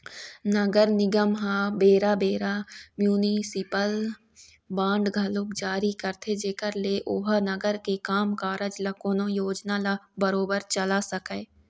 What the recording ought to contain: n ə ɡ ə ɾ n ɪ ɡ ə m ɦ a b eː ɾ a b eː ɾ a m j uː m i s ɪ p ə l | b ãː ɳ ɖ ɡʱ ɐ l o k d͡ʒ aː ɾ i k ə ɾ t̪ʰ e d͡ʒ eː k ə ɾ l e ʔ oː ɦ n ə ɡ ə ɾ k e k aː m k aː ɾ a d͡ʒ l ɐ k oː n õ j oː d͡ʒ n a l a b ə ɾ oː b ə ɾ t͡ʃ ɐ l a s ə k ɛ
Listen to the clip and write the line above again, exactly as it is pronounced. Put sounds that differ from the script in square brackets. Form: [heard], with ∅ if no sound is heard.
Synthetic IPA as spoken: n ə ɡ ə ɾ n ɪ ɡ ə m ɦ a b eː ɾ a b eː ɾ a m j uː [n] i s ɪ p ə l | b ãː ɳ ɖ ɡʱ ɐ l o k d͡ʒ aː ɾ i k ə ɾ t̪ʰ e d͡ʒ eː k ə ɾ l e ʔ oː ɦ n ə ɡ ə ɾ k e k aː m k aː ɾ [ə] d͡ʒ l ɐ k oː n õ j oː d͡ʒ n a l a b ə ɾ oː b ə ɾ t͡ʃ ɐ l a s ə k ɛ